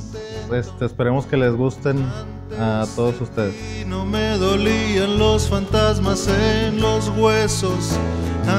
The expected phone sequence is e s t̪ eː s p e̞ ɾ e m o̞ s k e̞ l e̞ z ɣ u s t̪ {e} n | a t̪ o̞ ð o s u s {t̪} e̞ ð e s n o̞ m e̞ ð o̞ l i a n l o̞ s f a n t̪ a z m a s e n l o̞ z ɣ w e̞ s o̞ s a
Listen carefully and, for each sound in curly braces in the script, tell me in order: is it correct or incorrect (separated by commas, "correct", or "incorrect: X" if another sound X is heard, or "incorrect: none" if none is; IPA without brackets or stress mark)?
correct, correct